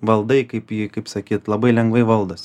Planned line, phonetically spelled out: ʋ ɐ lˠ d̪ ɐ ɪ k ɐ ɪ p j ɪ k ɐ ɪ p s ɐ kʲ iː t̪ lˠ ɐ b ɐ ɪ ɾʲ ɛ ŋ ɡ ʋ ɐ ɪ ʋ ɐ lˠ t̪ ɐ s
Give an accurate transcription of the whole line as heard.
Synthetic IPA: ʋ ɐ lˠ d̪ ɐ ɪ k ɐ ɪ p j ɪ k ɐ ɪ p s ɐ kʲ iː t̪ lˠ ɐ b ɐ ɪ lʲ ɛ ŋ ɡ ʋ ɐ ɪ ʋ ɐ lˠ d̪ ɐ s